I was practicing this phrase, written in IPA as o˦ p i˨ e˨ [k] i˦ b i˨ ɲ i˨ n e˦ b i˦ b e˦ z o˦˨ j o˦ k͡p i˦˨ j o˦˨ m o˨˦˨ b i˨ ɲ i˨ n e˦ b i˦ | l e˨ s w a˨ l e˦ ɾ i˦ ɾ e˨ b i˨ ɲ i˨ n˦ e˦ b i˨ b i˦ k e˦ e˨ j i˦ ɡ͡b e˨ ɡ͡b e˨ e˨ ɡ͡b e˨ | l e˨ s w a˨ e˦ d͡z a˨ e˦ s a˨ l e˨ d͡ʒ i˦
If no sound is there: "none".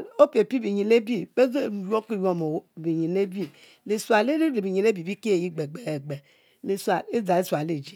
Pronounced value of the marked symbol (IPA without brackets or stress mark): p